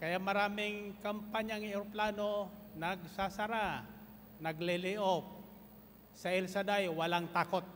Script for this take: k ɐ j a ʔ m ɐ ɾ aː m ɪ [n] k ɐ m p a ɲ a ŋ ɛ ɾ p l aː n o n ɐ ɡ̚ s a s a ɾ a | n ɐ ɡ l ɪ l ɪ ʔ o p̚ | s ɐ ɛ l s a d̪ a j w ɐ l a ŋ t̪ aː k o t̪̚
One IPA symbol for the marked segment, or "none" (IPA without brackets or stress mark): ŋ